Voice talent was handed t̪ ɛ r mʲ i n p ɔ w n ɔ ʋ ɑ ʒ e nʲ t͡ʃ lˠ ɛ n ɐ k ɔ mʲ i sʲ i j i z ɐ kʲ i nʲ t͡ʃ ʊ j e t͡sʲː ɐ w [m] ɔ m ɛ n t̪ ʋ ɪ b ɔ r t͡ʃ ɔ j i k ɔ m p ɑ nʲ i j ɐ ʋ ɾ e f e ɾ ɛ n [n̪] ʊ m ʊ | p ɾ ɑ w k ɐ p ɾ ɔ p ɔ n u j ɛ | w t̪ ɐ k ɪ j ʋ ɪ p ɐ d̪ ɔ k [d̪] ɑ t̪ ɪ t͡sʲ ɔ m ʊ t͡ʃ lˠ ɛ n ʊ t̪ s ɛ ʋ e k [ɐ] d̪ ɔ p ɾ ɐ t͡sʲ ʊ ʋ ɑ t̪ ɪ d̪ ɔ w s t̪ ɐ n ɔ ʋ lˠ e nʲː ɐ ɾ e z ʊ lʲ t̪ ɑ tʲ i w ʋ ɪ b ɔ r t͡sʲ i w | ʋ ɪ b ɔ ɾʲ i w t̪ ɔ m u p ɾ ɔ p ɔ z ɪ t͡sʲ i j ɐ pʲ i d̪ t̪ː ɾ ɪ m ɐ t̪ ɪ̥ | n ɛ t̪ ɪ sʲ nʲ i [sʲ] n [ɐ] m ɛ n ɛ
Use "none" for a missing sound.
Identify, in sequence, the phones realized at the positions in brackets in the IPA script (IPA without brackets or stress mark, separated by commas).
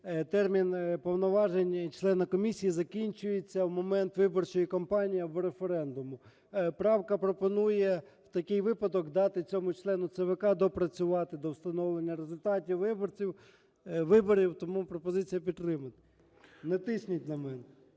m, d̪, d̪, ɑ, tʲ, ɐ